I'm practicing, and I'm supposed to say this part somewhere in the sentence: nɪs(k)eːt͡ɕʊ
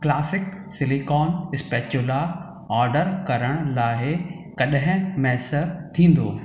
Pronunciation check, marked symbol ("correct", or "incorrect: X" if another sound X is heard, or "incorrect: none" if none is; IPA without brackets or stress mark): incorrect: p